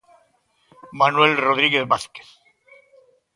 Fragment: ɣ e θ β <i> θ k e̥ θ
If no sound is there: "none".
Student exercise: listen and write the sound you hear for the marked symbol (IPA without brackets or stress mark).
a